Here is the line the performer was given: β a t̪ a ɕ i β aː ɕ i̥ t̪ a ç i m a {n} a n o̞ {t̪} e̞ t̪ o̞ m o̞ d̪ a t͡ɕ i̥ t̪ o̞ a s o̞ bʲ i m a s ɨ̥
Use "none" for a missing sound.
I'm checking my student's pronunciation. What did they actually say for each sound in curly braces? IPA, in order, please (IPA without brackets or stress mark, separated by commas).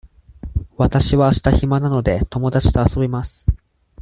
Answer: n, d̪